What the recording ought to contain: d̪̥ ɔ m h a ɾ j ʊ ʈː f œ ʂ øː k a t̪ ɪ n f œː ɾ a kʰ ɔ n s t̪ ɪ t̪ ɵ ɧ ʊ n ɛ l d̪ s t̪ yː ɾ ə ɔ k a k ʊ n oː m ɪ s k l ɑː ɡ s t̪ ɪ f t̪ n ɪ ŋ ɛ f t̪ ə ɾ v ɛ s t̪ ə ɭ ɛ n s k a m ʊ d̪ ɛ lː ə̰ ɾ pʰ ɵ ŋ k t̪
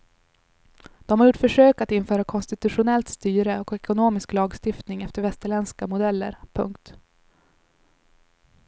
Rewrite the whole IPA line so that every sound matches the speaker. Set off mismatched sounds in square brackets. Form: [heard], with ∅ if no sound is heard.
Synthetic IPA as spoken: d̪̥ ɔ m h a ɾ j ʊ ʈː f œ ʂ øː k a t̪ ɪ n f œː ɾ a kʰ ɔ n s t̪ ɪ t̪ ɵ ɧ ʊ n ɛ l [t̪] s t̪ yː ɾ ə ɔ k [ɛ] k ʊ n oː m ɪ s k l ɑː ɡ s t̪ ɪ f t̪ n ɪ ŋ ɛ f t̪ ə ɾ v ɛ s t̪ ə ɭ ɛ n s k a m ʊ d̪ ɛ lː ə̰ ɾ pʰ ɵ ŋ k t̪